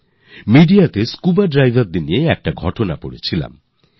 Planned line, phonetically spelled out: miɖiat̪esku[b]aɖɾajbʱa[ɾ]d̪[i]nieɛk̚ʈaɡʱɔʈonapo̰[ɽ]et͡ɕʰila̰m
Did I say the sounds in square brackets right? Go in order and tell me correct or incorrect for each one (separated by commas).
correct, correct, correct, correct